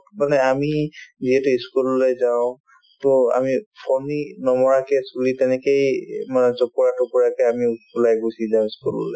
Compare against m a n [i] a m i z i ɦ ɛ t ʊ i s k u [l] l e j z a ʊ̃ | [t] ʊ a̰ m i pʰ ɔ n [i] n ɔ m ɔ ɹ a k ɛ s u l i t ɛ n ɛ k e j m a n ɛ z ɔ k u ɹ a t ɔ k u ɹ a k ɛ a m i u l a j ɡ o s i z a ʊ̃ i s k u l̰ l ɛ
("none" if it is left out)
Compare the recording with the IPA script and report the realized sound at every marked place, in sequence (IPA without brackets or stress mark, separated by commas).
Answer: ɛ, l, t, i